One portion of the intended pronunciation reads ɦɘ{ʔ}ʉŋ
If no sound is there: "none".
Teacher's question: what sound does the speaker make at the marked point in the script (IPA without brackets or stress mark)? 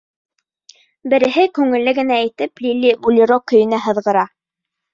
k